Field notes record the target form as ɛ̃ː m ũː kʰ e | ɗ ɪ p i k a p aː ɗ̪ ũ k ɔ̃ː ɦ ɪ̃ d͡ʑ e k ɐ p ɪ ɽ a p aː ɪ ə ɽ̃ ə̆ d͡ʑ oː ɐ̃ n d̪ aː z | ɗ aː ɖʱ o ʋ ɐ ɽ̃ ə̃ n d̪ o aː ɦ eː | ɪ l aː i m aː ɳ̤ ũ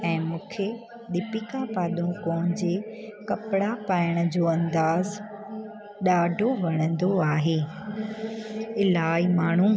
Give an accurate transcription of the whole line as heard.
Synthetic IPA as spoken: ɛ̃ː m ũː kʰ e | ɗ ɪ p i k a p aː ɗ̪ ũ k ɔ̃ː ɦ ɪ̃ d͡ʑ e k ɐ p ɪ ɽ a p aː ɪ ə ɽ̃ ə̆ d͡ʑ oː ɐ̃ n d̪ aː z | ɗ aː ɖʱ o ʋ ɐ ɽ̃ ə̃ n d̪ o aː ɦ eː | ɪ l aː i m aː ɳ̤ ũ